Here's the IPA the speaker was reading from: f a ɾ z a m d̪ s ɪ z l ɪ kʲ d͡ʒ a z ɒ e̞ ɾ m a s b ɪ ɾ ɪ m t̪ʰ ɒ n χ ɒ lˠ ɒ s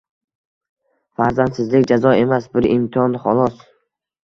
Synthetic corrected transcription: f a ɾ z a n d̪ s ɪ z l ɪ kʲ d͡ʒ a z ɒ e̞ m a s b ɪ ɾ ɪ m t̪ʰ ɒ n χ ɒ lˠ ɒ s